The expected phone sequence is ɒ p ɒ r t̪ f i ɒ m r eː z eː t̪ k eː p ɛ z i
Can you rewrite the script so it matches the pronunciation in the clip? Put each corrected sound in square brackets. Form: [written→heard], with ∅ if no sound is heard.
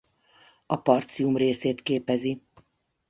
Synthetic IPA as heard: ɒ p ɒ r t̪ [f→s] i [ɒ→u] m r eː [z→s] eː t̪ k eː p ɛ z i

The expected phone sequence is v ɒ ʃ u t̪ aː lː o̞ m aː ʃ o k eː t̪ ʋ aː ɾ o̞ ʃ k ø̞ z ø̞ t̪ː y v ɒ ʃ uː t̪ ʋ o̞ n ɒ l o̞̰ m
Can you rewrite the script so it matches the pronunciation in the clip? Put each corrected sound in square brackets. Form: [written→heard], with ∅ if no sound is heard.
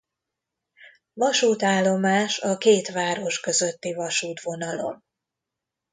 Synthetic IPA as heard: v ɒ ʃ [u→uː] t̪ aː lː o̞ m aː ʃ [o→ɒ] k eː t̪ ʋ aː ɾ o̞ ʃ k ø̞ z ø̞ t̪ː [y→i] v ɒ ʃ uː t̪ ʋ o̞ n ɒ l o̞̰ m

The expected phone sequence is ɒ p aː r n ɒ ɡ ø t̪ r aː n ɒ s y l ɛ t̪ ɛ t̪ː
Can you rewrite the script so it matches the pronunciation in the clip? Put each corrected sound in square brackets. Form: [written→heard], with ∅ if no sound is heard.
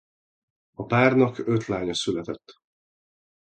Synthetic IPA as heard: ɒ p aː r n ɒ [ɡ→k] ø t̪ [r→l] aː [n→ɲ] ɒ s y l ɛ t̪ ɛ t̪ː

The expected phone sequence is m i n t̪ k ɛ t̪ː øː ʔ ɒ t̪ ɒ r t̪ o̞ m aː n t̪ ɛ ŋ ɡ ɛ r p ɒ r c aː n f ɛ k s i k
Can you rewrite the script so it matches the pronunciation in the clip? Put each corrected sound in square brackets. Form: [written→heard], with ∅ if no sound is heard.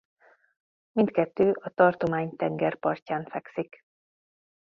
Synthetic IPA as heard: m i n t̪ k ɛ t̪ː øː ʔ ɒ t̪ ɒ r t̪ o̞ m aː [n→ɲ] t̪ ɛ ŋ ɡ ɛ r p ɒ r c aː n f ɛ k s i k

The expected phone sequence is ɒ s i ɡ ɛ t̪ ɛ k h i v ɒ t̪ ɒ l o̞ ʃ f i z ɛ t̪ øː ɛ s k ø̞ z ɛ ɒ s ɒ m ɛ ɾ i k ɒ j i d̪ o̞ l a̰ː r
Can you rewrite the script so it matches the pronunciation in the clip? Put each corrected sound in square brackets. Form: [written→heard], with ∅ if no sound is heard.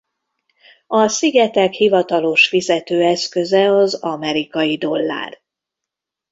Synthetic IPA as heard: ɒ s i ɡ ɛ t̪ ɛ k h i v ɒ t̪ ɒ l o̞ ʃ f i z ɛ t̪ øː ɛ s k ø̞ z ɛ ɒ [s→z] ɒ m ɛ ɾ i k ɒ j i d̪ o̞ [l→lː] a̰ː r

